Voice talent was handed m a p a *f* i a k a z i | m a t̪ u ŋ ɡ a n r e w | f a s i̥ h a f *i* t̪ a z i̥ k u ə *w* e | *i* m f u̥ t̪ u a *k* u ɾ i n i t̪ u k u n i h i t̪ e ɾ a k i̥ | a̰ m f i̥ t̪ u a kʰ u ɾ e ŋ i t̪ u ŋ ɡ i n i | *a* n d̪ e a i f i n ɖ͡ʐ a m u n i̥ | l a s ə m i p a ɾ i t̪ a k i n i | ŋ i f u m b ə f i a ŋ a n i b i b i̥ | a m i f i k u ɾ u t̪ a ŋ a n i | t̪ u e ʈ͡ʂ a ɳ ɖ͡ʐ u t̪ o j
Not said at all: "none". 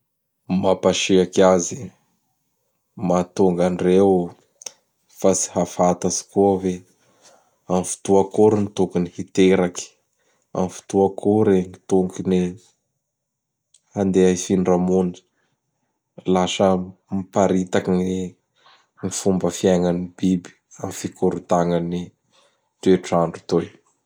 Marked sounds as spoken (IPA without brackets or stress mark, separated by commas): ʃ, a, v, a, k, a